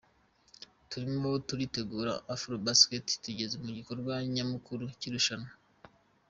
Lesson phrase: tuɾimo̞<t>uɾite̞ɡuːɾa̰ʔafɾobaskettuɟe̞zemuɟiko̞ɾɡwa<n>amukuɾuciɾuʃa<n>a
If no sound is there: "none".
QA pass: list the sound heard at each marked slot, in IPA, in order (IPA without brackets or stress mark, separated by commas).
t, ɲ, n